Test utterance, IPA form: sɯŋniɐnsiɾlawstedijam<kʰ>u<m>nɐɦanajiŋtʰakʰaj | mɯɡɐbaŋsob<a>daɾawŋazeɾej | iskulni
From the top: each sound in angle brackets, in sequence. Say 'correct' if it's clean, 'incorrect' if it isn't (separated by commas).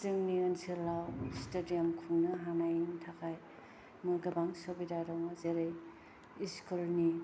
correct, incorrect, incorrect